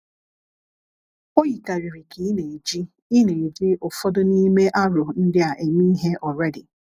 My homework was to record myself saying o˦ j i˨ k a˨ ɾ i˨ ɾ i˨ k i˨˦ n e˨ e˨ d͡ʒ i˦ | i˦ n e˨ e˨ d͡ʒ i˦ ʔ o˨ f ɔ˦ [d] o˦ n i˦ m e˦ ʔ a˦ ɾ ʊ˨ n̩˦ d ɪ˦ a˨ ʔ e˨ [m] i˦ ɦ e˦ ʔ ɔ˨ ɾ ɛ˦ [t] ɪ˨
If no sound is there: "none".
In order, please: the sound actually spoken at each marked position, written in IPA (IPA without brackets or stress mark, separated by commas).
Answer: d, m, d